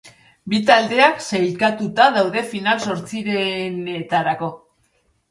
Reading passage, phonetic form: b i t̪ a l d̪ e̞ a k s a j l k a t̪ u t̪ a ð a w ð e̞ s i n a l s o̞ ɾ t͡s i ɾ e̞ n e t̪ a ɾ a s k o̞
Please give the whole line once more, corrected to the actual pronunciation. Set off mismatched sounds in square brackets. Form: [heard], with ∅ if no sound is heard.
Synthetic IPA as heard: b i t̪ a l d̪ e̞ a k s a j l k a t̪ u t̪ a ð a w ð e̞ [f] i n a l s o̞ ɾ t͡s i ɾ e̞ n e t̪ a ɾ a [∅] k o̞